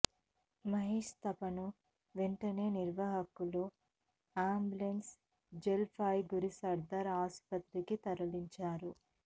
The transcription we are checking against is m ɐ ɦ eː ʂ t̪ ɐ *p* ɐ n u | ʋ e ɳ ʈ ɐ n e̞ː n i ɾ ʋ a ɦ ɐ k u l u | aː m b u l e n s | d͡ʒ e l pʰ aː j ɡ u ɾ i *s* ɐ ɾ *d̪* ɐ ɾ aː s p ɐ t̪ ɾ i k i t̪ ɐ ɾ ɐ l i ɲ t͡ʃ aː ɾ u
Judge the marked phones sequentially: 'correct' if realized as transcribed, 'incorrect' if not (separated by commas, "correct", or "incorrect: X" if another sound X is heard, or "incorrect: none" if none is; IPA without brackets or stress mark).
correct, correct, correct